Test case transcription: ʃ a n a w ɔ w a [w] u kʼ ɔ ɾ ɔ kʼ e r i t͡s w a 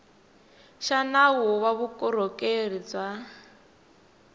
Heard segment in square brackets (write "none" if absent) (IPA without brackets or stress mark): β